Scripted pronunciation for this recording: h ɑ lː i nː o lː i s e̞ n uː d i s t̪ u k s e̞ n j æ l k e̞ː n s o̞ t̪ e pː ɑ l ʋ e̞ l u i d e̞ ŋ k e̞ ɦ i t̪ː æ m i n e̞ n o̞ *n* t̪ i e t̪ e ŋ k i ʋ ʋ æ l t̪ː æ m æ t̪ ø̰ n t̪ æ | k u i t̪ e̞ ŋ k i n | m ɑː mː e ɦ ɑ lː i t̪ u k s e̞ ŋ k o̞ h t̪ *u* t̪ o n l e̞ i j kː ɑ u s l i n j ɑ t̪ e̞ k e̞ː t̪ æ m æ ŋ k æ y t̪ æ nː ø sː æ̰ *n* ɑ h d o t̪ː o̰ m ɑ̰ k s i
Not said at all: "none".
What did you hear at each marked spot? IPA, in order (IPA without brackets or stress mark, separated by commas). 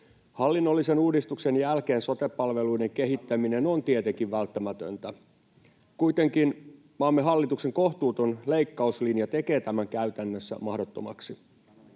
n, uː, m